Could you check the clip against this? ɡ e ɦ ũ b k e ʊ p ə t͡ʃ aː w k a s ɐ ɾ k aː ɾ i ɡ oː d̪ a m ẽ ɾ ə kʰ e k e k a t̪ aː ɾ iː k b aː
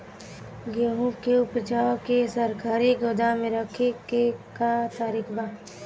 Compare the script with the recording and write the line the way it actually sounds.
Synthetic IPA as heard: ɡ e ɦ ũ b k e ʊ p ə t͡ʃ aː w k e s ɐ ɾ k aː ɾ i ɡ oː d̪ a m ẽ ɾ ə kʰ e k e k a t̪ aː ɾ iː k b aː